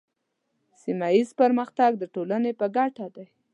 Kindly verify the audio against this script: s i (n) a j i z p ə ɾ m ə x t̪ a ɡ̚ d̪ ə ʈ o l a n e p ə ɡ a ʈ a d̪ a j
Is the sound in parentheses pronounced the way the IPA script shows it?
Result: no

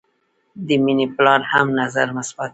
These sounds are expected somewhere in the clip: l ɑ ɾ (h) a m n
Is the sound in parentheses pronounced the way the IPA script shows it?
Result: yes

